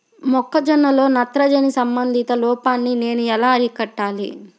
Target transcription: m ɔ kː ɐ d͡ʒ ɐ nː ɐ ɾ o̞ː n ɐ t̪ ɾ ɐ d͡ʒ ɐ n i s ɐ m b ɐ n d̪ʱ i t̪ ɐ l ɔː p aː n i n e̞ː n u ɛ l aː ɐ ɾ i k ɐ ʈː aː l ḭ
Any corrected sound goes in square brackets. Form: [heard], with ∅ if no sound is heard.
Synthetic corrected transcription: m ɔ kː ɐ d͡ʒ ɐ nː ɐ [l] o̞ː n ɐ t̪ ɾ ɐ d͡ʒ ɐ n i s ɐ m b ɐ n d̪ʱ i t̪ ɐ l ɔː p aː [nː] i n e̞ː n u ɛ l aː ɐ ɾ i k ɐ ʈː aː l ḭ